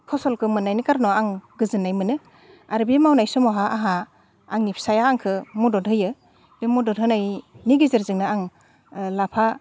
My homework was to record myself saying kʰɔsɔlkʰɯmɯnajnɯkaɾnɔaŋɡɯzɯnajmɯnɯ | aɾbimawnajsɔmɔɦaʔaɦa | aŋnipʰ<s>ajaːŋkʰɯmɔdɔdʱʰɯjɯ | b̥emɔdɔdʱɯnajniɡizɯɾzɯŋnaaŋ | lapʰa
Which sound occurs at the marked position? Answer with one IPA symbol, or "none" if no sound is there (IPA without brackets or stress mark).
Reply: s